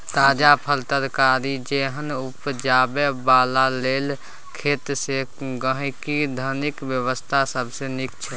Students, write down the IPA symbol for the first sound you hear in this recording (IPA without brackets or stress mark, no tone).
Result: t̪